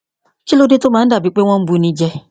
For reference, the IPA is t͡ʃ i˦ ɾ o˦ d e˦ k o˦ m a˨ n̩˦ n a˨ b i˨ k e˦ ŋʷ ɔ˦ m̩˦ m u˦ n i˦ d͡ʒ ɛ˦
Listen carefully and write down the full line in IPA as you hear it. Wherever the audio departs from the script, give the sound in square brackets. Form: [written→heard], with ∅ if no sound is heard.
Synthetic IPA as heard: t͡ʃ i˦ [ɾ→l] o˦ d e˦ [k→t] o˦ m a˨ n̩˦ [n→d] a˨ b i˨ [k→k͡p] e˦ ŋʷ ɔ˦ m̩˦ [m→b] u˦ n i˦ d͡ʒ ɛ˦